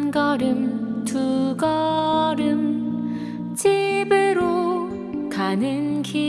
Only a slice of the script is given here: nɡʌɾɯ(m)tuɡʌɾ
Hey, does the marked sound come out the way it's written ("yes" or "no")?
yes